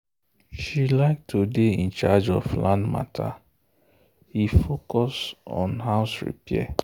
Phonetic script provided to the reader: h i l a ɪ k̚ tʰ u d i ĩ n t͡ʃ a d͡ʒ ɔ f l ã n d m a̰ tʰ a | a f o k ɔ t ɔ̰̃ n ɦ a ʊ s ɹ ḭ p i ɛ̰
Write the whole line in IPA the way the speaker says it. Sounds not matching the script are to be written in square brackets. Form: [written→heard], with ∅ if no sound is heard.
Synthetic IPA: [h→ʃ] i l a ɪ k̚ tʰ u d [i→e] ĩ n t͡ʃ a d͡ʒ ɔ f l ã n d m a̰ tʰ a | [a→i] f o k ɔ [t→s] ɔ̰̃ n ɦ a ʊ s ɹ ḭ p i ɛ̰